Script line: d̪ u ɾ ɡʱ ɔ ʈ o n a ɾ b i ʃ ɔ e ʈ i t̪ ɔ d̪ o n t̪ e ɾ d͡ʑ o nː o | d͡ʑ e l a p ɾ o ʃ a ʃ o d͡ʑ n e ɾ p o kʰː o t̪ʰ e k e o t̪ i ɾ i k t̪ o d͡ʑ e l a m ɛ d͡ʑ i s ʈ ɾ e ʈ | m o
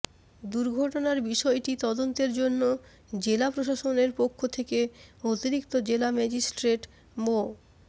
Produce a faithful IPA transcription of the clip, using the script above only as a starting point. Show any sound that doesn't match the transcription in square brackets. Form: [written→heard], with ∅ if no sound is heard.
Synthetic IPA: d̪ u ɾ ɡʱ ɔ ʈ o n a ɾ b i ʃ ɔ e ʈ i t̪ ɔ d̪ o n t̪ e ɾ d͡ʑ o nː o | d͡ʑ e l a p ɾ o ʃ a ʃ o [d͡ʑ→∅] n e ɾ p o kʰː o t̪ʰ e k e o t̪ i ɾ i k t̪ o d͡ʑ e l a m ɛ d͡ʑ i s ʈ ɾ e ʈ | m o